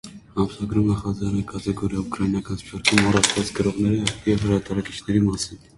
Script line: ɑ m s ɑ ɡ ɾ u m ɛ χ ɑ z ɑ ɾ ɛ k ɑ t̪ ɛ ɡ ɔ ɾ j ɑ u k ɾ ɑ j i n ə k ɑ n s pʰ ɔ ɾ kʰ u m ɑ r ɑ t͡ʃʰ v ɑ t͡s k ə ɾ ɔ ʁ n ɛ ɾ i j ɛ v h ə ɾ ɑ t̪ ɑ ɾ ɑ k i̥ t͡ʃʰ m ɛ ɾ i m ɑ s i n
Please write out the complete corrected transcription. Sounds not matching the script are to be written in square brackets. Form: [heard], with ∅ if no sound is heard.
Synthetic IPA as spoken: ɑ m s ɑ ɡ ɾ u m ɛ χ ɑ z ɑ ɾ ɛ k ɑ t̪ ɛ ɡ ɔ ɾ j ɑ u k ɾ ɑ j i n [ɑ] k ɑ n s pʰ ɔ ɾ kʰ u m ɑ r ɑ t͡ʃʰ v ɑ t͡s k ə ɾ ɔ ʁ n ɛ ɾ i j ɛ v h ə ɾ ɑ t̪ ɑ ɾ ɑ k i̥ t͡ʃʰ [n] ɛ ɾ i m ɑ s i n